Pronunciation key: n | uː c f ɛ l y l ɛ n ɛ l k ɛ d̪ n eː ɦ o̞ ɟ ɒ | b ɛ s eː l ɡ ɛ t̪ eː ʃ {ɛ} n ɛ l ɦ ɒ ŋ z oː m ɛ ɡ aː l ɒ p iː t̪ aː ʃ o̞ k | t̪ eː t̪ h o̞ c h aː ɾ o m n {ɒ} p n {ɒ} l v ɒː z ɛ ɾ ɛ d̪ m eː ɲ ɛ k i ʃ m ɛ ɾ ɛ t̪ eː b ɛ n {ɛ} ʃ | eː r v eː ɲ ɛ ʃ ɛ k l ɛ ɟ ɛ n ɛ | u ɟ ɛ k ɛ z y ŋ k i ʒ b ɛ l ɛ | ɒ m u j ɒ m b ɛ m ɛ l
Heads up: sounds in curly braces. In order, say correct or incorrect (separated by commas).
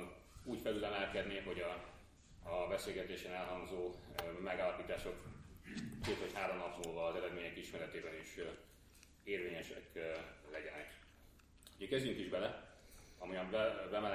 correct, correct, incorrect, incorrect